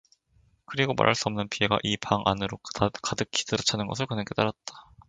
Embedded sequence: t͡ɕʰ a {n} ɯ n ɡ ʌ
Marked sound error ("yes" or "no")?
no